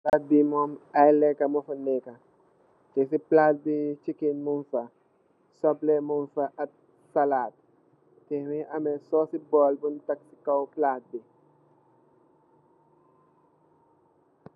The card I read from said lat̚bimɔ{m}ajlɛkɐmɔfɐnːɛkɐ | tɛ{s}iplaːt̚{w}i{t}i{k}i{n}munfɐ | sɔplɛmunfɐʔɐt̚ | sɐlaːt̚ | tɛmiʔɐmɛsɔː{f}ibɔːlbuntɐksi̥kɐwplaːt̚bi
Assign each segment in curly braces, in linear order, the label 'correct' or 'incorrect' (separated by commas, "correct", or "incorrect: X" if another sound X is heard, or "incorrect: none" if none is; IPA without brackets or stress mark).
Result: correct, correct, incorrect: b, incorrect: t͡ʃ, correct, correct, incorrect: s